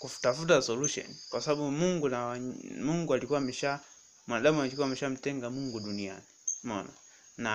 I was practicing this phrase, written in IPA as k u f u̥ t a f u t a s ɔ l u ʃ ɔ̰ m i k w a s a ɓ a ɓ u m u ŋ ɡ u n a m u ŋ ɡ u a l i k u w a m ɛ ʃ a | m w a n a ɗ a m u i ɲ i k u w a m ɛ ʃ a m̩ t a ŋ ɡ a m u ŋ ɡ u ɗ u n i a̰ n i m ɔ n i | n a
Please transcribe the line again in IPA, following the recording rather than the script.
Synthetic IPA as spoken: k u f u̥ t a f u t a s ɔ l u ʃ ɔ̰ n i k w a s a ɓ a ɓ u m u ŋ ɡ u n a m u ŋ ɡ u a l i k u w a m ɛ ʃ a | m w a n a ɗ a m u a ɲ i k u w a m ɛ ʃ a m̩ t ɛ ŋ ɡ a m u ŋ ɡ u ɗ u n i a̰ n i m ɔ n a | n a